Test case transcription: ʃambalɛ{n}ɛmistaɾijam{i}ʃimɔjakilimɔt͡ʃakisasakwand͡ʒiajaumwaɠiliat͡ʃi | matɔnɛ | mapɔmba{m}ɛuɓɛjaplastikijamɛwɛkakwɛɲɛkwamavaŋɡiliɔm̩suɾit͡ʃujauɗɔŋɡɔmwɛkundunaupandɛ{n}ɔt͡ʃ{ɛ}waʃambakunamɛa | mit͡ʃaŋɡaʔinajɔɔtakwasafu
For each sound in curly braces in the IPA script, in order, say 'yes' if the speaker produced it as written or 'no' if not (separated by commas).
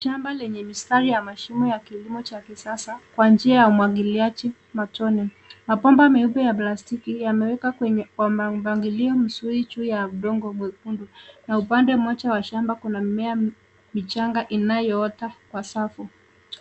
no, no, yes, no, no